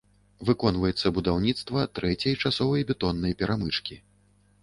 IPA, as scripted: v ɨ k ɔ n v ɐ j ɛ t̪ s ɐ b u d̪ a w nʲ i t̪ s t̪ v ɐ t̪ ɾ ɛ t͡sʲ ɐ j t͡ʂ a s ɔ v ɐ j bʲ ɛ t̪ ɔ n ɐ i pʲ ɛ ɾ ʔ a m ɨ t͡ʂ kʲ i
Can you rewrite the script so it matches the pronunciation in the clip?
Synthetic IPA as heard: v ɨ k ɔ n v ɐ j ɛ t̪ sː ɐ b u d̪ a w nʲ i t̪ s t̪ v ɐ t̪ ɾ ɛ t͡sʲ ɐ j t͡ʂ a s ɔ v ɐ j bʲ ɛ t̪ ɔ nː ɐ j pʲ ɛ ɾ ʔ a m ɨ t͡ʂ kʲ i

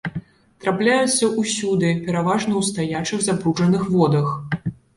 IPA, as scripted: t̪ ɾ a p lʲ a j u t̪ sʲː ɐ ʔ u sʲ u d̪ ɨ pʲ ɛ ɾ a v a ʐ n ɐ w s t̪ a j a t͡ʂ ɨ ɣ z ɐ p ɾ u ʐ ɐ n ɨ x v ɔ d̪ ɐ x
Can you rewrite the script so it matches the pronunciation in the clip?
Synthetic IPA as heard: t̪ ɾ a p lʲ a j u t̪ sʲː ɐ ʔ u sʲ u d̪ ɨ pʲ ɛ ɾ a v a ʐ n ɐ w s t̪ a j a t͡ʂ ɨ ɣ z a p ɾ u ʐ ɐ n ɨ x v ɔ d̪ ɐ x

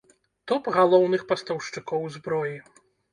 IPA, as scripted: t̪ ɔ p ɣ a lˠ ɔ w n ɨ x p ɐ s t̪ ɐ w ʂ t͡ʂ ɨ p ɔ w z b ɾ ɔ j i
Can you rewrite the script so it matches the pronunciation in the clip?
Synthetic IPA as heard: t̪ ɔ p ɣ a lˠ ɔ w n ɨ x p ɐ s t̪ ɐ w ʂ t͡ʂ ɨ k ɔ w z b ɾ ɔ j i

